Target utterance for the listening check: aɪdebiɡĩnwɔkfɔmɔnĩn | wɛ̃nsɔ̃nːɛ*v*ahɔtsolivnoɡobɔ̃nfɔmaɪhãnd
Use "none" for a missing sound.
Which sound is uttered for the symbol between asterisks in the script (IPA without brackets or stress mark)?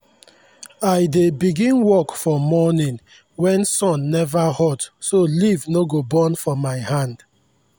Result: v